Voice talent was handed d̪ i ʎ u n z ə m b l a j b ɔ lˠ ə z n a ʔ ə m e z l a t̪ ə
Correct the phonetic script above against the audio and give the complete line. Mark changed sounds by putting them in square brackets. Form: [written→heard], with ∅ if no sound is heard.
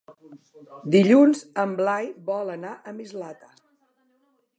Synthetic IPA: d̪ i ʎ u n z ə m b l a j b ɔ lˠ ə [z→∅] n a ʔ ə m [e→i] z l a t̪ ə